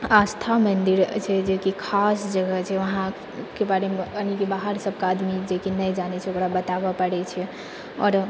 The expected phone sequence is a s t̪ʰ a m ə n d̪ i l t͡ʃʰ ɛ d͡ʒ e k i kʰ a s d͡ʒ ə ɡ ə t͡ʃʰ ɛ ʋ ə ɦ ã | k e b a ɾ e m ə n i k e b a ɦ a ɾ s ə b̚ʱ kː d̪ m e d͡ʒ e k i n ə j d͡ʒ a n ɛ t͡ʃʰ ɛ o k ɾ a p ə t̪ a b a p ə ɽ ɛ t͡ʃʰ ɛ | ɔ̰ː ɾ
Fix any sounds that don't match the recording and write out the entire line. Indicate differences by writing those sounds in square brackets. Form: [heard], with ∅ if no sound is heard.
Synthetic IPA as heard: a s t̪ʰ a m ə n d̪ i [ɾ] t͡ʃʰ ɛ d͡ʒ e k i kʰ a s d͡ʒ ə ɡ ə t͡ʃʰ ɛ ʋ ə ɦ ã | k e b a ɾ e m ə n i k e b a ɦ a ɾ s ə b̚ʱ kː d̪ m [i] d͡ʒ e k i n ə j d͡ʒ a n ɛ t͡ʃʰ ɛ o k ɾ a [b] ə t̪ a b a p ə ɽ ɛ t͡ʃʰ ɛ | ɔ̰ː ɾ